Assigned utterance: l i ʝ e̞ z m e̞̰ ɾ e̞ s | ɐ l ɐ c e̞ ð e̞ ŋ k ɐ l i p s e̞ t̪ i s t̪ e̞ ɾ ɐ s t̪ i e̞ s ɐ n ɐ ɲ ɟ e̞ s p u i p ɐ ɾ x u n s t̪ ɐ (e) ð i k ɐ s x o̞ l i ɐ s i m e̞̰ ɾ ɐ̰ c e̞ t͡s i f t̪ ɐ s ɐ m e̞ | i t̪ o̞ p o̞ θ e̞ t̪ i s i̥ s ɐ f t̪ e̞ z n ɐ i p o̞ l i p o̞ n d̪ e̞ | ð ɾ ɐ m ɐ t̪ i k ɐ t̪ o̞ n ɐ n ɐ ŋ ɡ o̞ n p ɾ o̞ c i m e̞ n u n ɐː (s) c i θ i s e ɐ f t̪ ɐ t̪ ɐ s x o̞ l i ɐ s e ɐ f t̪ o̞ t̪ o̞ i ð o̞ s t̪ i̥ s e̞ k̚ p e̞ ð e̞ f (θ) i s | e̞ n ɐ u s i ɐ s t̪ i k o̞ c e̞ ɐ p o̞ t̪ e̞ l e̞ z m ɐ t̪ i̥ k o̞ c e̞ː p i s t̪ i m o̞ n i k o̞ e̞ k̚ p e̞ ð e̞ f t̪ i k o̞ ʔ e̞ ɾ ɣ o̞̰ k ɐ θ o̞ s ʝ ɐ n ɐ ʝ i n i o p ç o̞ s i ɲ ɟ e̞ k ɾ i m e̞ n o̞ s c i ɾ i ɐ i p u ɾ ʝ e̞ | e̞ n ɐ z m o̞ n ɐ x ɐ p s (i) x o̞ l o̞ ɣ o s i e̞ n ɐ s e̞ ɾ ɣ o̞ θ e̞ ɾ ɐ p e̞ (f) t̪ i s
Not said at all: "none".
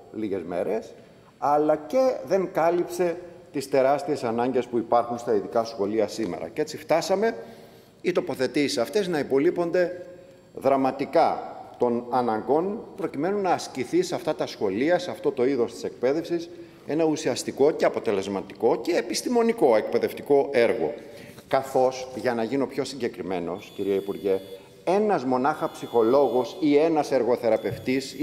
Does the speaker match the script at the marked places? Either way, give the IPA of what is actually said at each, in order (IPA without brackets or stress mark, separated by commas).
i, s, s, i, f